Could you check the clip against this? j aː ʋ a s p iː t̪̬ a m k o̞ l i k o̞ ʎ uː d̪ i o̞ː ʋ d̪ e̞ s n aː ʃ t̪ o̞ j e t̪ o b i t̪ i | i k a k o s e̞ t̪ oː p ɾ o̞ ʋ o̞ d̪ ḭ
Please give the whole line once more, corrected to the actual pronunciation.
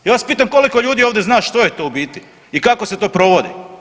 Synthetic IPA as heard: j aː ʋ a s p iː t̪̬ a m k o̞ l i k o̞ ʎ uː d̪ i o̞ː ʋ d̪ e̞ z n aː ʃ t̪ o̞ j e t̪ o b i t̪ i | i k a k o s e̞ t̪ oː p ɾ o̞ ʋ o̞ d̪ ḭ